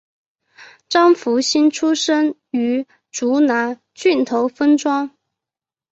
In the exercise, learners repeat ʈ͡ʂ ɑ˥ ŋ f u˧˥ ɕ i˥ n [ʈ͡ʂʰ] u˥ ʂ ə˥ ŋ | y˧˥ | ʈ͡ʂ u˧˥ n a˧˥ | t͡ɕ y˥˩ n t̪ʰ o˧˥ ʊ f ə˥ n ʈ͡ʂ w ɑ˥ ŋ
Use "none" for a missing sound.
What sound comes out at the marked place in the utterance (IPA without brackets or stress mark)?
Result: ʈ͡ʂʰ